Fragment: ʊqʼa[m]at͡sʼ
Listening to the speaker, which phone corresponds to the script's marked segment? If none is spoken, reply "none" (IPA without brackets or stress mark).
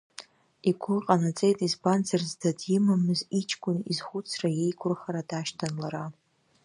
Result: n